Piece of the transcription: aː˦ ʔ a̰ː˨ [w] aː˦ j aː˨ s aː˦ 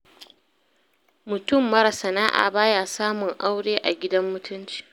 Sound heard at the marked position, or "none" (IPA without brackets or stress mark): b